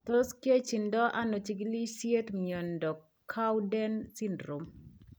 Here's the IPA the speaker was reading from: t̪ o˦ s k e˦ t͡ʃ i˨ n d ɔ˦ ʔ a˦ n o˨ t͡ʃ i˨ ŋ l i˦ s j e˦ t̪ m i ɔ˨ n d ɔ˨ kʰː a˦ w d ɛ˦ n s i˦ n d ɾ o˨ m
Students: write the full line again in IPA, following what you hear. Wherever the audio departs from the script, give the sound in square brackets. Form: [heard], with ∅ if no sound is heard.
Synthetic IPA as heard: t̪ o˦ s k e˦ t͡ʃ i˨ n d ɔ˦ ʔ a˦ n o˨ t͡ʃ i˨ [ɡ] l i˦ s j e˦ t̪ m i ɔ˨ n d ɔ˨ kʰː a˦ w d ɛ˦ n s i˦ n d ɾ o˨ m

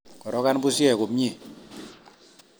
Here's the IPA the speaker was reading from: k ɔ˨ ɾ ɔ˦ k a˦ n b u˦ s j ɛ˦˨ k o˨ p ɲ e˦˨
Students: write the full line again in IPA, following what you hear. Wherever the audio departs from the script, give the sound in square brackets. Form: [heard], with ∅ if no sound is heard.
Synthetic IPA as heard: k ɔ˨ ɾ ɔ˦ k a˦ n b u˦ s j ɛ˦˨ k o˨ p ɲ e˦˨

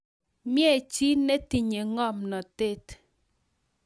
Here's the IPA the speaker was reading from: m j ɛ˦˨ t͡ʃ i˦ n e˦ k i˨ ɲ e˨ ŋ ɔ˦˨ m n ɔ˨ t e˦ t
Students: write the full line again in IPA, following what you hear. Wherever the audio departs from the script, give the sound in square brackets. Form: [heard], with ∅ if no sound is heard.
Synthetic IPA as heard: m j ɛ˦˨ t͡ʃ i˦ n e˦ [t] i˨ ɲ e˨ ŋ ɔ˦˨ m n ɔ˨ t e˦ t

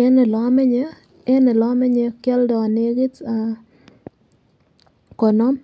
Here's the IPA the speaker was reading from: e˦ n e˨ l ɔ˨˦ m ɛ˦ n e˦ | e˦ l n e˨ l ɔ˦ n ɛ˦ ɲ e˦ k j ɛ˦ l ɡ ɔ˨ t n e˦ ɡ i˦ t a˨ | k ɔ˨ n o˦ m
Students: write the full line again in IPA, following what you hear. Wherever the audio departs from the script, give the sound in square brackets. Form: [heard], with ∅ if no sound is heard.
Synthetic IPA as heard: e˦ n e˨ l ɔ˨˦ m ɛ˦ [ɲ] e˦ | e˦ [∅] n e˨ l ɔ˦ [m] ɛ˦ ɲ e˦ k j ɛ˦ l [d] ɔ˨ [∅] n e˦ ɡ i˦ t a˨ | k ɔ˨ n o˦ m

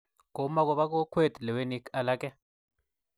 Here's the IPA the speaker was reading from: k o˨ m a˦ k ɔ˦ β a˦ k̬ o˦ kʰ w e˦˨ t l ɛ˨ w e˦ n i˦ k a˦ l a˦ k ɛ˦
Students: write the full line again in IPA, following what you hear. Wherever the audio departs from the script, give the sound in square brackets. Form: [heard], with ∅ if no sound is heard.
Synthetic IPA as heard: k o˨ m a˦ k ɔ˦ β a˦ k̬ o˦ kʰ w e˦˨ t l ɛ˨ w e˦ n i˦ k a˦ l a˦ k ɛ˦

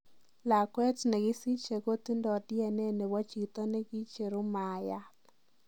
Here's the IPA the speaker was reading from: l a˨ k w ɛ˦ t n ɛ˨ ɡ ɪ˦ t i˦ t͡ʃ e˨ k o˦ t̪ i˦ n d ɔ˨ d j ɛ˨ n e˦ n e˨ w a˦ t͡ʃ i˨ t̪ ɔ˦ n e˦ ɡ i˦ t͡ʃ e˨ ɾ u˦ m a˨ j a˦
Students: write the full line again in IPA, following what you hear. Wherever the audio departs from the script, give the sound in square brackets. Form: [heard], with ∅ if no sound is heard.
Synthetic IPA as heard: l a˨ k w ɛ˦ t n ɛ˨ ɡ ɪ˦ [s] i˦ t͡ʃ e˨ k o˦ t̪ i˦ n d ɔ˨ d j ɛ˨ n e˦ n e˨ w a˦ t͡ʃ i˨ t̪ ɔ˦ n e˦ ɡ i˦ t͡ʃ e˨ ɾ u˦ m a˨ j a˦

